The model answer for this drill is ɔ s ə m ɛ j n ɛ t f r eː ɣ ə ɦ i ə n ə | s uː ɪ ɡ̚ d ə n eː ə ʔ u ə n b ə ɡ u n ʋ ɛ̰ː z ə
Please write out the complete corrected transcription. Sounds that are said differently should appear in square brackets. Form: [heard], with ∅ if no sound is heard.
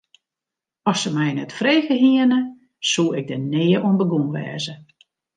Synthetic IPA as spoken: ɔ s ə m ɛ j n ɛ t f r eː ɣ ə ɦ i ə n ə | s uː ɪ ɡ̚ d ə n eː ə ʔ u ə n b ə ɡ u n ʋ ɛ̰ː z ə